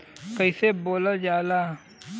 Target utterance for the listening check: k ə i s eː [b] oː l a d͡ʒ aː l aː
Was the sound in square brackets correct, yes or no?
yes